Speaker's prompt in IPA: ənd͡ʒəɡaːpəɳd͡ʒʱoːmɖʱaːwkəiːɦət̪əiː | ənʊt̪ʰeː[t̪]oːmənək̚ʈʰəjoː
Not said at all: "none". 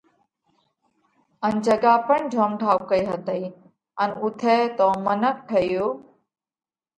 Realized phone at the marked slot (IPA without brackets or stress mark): t̪